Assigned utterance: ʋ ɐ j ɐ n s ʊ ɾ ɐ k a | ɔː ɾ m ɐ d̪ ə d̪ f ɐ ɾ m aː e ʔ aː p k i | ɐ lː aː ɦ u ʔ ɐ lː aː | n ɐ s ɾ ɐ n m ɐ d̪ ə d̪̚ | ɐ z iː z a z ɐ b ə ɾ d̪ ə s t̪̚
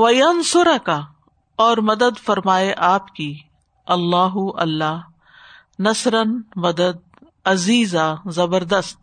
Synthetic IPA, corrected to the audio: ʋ ɐ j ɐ n s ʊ ɾ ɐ k a | ɔː ɾ m ɐ d̪ ə d̪ f ɐ ɾ m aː e ʔ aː p k i | ɐ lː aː ɦ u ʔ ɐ lː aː | n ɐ s ɾ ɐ n m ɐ d̪ ə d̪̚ | ɐ z iː z a z ɐ b ə ɾ d̪ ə s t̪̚